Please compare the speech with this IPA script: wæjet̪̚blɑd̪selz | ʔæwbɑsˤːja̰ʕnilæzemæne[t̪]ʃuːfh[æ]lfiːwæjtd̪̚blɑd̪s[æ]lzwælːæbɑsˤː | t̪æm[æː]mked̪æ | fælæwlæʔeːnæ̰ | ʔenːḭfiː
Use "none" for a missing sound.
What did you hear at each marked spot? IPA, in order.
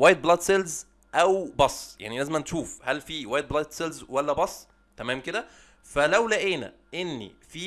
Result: none, æ, e, æː

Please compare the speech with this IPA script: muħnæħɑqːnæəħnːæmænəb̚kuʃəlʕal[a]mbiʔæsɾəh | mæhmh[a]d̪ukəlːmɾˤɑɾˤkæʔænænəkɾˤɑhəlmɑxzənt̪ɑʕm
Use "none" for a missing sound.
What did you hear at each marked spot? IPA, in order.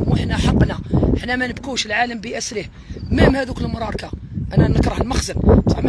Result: ə, æ

